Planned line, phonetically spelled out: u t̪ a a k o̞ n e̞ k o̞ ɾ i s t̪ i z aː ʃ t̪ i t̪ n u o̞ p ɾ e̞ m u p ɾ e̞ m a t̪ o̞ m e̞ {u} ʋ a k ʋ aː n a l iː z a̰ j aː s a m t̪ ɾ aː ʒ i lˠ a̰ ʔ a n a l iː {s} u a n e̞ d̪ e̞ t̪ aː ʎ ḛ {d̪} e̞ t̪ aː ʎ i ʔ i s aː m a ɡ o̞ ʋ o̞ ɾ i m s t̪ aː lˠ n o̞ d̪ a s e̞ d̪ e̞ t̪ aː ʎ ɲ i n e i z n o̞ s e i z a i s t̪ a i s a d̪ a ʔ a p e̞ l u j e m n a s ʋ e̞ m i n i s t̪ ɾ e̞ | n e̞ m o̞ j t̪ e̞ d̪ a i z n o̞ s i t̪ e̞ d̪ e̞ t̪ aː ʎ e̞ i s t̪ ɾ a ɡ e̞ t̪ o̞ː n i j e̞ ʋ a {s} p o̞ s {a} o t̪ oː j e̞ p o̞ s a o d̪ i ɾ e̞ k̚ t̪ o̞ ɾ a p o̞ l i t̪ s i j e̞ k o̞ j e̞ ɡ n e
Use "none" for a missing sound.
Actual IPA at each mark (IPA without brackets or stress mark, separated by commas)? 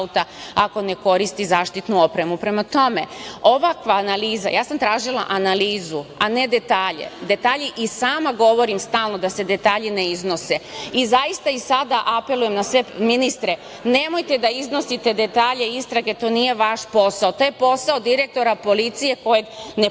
o, z, d̪, ʃ, a